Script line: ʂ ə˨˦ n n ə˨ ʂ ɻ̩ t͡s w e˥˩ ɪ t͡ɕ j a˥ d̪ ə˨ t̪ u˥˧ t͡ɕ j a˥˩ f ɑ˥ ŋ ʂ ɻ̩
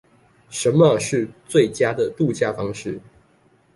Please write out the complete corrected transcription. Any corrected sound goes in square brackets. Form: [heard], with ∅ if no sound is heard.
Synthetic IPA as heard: ʂ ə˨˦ n [m] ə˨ ʂ ɻ̩ t͡s w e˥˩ ɪ t͡ɕ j a˥ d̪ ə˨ t̪ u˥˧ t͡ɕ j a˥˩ f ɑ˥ ŋ ʂ ɻ̩